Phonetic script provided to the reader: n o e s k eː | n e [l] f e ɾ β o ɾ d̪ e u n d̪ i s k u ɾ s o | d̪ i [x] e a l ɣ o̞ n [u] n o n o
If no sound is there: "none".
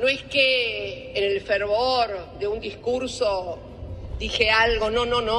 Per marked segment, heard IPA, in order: l, x, o

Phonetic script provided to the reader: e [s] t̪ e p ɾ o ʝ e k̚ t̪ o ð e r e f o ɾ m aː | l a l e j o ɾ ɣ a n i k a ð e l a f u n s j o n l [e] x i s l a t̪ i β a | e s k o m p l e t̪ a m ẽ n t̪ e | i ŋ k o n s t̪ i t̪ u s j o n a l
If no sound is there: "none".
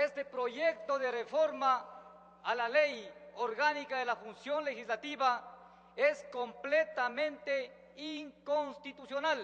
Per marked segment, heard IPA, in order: s, e

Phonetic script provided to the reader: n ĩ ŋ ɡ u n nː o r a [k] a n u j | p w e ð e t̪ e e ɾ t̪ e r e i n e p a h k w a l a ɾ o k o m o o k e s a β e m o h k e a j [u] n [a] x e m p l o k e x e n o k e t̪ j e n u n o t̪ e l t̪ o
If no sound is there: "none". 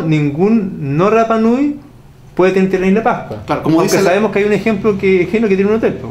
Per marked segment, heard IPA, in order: p, u, e

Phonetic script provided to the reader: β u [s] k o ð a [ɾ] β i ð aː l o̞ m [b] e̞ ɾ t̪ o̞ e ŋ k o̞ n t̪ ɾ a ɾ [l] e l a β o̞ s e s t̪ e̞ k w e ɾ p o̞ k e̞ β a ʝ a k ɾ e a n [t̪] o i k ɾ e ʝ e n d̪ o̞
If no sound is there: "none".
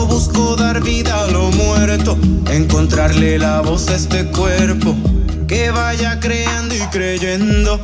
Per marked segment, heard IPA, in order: s, ɾ, w, l, d̪

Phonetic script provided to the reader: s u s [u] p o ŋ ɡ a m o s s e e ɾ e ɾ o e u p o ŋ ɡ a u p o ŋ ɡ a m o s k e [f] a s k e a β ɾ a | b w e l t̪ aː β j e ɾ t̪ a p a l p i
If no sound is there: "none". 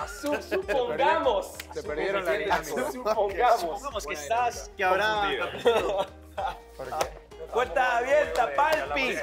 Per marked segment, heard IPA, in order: u, s

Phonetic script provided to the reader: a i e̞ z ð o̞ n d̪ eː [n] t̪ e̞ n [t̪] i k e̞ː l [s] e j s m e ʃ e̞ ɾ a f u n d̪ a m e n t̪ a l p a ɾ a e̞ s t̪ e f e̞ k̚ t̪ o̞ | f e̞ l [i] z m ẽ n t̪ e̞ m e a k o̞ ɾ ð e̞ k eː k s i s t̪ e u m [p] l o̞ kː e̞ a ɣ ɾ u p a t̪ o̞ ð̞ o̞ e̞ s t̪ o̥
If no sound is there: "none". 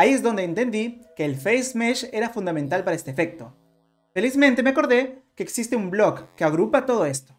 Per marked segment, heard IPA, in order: n, d̪, f, i, b

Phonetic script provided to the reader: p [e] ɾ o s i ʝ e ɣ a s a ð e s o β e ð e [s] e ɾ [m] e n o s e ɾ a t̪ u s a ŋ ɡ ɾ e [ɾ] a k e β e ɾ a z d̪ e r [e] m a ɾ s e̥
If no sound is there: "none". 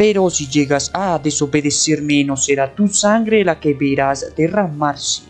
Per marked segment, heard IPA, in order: e, s, m, l, a

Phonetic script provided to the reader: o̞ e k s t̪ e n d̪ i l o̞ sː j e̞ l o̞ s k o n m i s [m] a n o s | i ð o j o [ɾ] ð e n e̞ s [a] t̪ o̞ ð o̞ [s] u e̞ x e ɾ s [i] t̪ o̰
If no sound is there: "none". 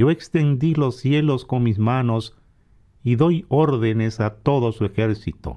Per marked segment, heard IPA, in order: m, ɾ, a, s, i

